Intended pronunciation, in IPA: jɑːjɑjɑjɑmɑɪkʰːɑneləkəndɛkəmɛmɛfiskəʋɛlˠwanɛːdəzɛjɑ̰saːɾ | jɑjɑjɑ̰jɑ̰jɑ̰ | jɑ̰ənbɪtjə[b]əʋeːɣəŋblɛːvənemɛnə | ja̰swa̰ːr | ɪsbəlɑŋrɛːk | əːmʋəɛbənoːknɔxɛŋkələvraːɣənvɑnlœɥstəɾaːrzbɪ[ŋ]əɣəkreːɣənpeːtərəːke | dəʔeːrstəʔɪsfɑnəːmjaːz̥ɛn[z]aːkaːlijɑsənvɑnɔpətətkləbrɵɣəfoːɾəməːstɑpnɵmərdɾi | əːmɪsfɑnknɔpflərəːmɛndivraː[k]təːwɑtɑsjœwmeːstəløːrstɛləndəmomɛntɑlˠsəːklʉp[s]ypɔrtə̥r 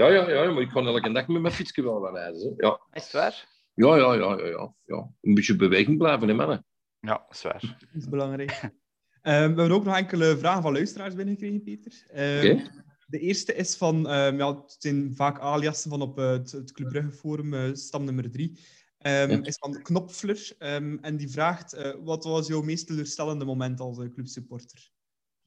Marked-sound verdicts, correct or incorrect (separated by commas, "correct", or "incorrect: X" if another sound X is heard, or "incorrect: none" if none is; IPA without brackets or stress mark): correct, incorrect: n, incorrect: v, incorrect: x, correct